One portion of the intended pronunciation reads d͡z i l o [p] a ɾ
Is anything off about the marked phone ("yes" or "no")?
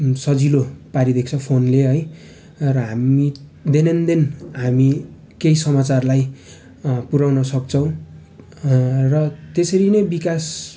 no